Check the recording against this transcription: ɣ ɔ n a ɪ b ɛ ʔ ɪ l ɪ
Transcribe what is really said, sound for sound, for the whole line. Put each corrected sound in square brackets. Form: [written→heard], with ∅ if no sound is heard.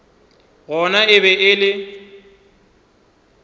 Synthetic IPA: ɣ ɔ n a ɪ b ɛ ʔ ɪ l ɪ